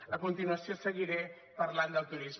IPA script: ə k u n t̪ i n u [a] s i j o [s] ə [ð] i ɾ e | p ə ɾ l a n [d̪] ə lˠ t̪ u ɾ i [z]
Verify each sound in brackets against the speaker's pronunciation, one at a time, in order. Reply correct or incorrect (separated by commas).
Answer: incorrect, correct, incorrect, correct, correct